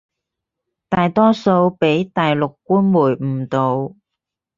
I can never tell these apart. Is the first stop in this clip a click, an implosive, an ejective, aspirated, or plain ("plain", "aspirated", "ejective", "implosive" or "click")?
plain